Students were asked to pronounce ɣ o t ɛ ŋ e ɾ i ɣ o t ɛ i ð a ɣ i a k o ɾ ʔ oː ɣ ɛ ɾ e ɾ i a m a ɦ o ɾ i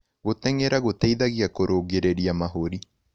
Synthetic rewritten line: ɣ o t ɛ ŋ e ɾ a ɣ o t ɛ i ð a ɣ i a k o ɾ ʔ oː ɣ e ɾ e ɾ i a m a ɦ o ɾ i